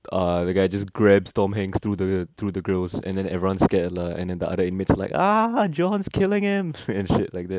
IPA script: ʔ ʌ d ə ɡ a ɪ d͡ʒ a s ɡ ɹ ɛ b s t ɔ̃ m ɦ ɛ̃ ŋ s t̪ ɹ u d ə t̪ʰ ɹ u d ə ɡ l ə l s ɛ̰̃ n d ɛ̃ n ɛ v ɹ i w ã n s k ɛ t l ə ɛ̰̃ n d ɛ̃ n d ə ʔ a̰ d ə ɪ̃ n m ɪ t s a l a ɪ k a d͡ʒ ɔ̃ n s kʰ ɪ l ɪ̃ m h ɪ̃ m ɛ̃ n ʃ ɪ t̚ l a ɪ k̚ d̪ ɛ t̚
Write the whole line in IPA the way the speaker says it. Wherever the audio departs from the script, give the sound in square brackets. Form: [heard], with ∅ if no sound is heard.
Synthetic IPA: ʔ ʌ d ə ɡ a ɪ d͡ʒ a s ɡ ɹ ɛ b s t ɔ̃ m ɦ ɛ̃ ŋ s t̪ ɹ u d ə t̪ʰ ɹ u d ə ɡ [ɹ] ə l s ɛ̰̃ n d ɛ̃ n ɛ v ɹ i w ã n s k ɛ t l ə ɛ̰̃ n d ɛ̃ n d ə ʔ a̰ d ə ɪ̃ n m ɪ t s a l a ɪ k a d͡ʒ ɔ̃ n s kʰ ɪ l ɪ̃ [ŋ] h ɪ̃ m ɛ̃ n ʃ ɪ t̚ l a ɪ k̚ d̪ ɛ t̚